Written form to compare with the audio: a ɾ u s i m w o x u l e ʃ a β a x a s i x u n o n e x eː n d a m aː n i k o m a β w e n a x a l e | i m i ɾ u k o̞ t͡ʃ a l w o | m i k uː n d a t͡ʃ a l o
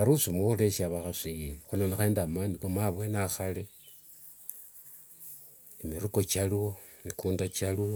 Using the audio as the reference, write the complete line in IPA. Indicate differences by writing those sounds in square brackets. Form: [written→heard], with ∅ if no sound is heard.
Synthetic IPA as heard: a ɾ u s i m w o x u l e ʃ a β a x a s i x u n o n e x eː n d a m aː n i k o m a β w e n a x a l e | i m i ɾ u k o̞ t͡ʃ a l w o | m i k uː n d a t͡ʃ a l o